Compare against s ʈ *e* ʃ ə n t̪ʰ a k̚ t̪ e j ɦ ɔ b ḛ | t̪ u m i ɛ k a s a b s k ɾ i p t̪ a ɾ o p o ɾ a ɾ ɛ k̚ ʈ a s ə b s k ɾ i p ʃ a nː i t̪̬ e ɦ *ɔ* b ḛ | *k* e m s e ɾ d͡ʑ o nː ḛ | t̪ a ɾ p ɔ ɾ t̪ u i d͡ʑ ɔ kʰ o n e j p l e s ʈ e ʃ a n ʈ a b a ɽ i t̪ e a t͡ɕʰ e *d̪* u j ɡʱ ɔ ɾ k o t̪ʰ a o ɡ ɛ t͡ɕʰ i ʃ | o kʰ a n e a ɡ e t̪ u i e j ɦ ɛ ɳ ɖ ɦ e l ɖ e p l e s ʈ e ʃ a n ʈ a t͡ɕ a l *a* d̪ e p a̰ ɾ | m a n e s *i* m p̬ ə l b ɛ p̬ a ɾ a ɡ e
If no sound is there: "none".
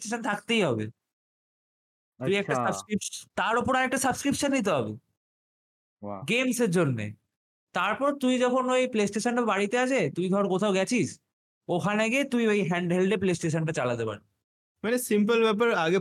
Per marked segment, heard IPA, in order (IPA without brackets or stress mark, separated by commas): e, ɔ, ɡ, t̪, a, i